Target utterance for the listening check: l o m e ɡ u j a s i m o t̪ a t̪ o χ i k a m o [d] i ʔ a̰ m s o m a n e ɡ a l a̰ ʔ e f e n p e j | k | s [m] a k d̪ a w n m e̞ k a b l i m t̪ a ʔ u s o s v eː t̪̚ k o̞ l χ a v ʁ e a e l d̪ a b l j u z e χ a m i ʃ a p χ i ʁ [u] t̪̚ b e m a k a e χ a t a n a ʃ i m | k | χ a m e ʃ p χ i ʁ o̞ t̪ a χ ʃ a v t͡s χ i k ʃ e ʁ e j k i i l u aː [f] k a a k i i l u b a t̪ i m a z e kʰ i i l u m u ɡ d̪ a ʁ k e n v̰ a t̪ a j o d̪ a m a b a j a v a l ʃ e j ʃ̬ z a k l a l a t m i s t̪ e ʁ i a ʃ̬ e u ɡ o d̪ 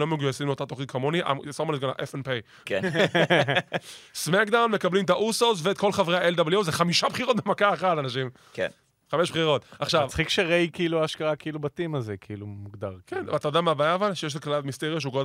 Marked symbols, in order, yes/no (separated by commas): no, yes, no, no